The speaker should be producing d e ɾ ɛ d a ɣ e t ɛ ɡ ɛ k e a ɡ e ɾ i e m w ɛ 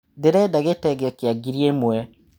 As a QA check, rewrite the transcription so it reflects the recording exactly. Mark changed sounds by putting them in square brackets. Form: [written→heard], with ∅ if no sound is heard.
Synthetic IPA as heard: d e ɾ ɛ d a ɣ e t ɛ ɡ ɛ k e a ɡ [e→i] ɾ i e m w ɛ